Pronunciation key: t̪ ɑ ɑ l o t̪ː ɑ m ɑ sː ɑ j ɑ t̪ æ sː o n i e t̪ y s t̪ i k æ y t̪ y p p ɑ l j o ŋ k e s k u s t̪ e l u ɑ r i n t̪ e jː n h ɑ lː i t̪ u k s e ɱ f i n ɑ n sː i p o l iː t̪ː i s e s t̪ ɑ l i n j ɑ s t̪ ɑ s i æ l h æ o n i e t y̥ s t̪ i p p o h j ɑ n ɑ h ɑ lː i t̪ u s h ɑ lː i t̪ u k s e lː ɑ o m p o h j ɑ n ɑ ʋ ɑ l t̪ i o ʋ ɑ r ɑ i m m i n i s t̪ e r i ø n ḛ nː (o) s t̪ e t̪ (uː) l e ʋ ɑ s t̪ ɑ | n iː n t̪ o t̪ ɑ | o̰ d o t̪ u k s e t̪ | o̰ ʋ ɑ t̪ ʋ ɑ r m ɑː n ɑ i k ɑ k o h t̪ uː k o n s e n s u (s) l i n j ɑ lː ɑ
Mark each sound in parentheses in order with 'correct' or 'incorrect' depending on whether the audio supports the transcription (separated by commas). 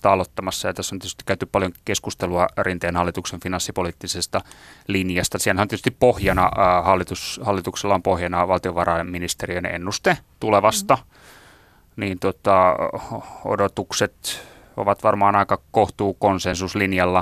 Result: incorrect, incorrect, correct